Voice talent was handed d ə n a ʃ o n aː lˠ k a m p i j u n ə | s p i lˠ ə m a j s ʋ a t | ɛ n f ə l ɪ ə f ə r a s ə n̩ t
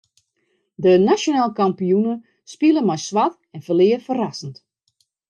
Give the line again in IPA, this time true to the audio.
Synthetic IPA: d ə n a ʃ o n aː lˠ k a m p i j u n ə | s p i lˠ ə m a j s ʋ a t | ɛ n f ə l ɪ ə f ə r a s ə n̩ t